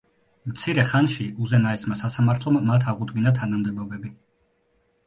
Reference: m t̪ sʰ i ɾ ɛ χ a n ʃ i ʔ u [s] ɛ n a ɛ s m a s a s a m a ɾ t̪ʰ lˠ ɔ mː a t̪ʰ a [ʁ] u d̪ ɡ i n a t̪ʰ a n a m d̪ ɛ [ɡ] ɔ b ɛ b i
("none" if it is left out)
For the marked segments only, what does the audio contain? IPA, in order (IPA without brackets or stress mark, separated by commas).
z, ʁ, b